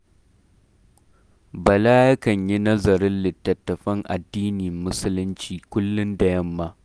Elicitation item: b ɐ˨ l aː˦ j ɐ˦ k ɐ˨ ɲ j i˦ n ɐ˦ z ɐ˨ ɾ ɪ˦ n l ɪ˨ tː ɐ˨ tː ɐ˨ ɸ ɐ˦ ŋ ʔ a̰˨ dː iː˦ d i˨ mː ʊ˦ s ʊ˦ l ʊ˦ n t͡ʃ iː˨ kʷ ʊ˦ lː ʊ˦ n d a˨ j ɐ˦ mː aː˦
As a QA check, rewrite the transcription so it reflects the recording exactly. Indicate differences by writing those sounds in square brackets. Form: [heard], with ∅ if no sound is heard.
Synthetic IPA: b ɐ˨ l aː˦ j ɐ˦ k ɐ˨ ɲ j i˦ n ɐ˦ z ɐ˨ ɾ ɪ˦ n l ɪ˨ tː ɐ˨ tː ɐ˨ ɸ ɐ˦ ŋ ʔ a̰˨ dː iː˦ [n] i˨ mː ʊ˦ s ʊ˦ l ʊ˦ n t͡ʃ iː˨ kʷ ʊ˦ lː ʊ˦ n d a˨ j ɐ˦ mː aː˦